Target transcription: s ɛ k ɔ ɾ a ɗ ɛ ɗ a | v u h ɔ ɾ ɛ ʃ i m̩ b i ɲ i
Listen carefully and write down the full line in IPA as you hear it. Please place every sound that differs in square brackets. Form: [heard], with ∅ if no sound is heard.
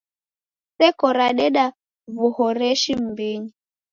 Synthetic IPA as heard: s ɛ k ɔ ɾ a ɗ ɛ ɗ a | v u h ɔ ɾ ɛ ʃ i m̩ b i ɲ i